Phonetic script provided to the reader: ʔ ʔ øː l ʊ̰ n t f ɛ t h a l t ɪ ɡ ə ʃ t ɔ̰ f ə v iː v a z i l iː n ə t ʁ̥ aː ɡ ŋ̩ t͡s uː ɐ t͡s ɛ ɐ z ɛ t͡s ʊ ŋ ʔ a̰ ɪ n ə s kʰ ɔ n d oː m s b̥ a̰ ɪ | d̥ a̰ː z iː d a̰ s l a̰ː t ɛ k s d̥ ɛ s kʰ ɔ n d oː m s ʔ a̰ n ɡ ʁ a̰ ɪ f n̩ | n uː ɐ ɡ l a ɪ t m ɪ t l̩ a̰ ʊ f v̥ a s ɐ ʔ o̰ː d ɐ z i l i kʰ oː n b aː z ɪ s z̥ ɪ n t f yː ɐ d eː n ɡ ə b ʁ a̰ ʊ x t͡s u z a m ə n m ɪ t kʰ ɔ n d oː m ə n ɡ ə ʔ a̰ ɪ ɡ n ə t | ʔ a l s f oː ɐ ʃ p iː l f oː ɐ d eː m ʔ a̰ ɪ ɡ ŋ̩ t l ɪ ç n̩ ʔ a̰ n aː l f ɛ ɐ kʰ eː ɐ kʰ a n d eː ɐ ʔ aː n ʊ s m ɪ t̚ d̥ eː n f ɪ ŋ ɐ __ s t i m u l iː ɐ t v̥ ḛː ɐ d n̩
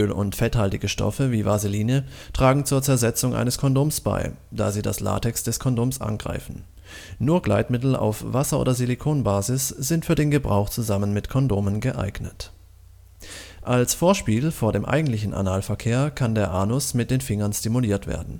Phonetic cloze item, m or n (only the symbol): n